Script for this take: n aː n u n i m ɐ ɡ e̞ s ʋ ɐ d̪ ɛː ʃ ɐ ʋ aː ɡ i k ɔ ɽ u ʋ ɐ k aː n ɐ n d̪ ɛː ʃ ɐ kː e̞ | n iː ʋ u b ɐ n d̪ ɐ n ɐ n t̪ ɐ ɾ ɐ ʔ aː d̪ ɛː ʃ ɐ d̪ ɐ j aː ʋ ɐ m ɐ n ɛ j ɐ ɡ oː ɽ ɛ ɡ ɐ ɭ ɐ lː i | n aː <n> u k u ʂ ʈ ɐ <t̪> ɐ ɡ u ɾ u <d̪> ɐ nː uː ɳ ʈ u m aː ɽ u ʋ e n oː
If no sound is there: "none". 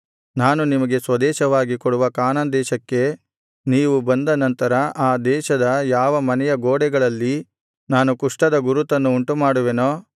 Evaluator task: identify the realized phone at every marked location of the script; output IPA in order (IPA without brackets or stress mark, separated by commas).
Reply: n, d̪, t̪